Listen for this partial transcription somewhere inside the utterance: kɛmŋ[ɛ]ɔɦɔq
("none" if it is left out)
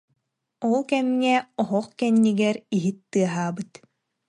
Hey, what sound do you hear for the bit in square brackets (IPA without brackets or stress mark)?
ɛ